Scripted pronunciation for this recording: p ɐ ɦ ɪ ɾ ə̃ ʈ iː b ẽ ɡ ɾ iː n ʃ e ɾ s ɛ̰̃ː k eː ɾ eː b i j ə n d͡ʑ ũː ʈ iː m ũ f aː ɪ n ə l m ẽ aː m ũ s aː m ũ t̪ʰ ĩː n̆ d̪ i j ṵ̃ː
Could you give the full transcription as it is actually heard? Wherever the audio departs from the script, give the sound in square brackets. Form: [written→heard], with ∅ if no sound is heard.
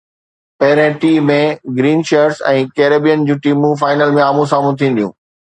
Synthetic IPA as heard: p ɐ ɦ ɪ ɾ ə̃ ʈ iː [b→m] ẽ ɡ ɾ iː n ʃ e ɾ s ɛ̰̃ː k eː ɾ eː b i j ə n d͡ʑ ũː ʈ iː m ũ f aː ɪ n ə l m ẽ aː m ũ s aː m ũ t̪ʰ ĩː n̆ d̪ i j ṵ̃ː